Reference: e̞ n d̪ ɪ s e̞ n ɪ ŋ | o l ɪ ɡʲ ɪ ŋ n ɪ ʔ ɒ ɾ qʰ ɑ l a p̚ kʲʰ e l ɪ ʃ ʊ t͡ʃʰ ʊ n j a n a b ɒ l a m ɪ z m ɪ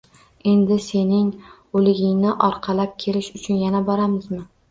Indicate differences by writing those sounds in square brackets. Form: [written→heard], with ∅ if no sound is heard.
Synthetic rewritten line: e̞ n d̪ ɪ s e̞ n ɪ ŋ | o l ɪ ɡʲ ɪ ŋ n ɪ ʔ ɒ ɾ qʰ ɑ l a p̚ kʲʰ e l ɪ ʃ ʊ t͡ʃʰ ʊ n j a n a b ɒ [l→ɾ] a m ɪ z m ɪ